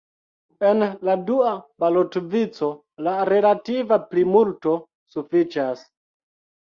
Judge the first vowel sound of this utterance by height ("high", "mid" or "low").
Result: mid